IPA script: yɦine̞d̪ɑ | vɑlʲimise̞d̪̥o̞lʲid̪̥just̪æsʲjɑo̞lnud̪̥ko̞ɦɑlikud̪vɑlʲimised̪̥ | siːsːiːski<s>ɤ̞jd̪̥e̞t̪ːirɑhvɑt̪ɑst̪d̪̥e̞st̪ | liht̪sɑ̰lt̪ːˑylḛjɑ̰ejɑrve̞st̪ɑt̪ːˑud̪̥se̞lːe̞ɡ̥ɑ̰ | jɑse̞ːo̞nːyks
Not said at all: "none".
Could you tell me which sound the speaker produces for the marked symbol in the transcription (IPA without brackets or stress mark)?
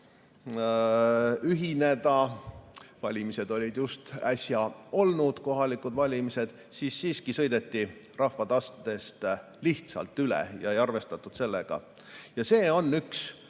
s